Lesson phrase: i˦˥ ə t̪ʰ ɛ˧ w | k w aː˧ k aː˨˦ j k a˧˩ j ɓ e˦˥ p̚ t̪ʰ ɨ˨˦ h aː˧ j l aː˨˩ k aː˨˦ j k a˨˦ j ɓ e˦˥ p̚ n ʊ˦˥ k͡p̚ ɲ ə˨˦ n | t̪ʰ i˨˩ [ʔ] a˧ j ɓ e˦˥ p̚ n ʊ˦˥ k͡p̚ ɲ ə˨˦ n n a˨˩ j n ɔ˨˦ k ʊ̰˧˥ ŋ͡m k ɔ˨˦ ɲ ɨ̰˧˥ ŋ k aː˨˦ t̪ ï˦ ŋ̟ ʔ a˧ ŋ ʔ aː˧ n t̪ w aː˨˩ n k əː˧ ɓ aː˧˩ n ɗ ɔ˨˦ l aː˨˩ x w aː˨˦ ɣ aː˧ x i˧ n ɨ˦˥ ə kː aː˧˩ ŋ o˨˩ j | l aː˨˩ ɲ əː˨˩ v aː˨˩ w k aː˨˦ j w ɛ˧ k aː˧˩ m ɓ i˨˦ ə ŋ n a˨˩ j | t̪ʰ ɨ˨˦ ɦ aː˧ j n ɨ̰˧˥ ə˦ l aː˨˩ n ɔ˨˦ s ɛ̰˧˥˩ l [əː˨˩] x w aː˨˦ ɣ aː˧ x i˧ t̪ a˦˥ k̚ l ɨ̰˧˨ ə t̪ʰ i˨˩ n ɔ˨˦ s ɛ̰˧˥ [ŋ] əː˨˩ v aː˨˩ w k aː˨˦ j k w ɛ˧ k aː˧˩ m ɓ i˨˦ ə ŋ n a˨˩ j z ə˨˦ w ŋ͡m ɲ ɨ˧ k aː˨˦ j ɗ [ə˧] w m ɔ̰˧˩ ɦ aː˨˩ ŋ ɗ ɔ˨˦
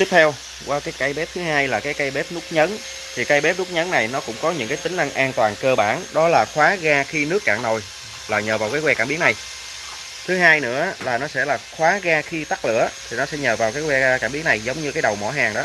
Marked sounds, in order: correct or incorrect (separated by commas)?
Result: incorrect, incorrect, incorrect, incorrect